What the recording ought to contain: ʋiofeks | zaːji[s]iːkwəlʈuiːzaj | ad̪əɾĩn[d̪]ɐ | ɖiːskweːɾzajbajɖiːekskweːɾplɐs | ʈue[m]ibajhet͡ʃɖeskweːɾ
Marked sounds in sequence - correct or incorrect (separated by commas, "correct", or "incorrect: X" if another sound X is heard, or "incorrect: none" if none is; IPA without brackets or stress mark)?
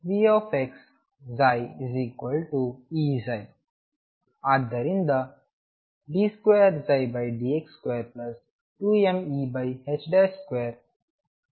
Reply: incorrect: z, correct, correct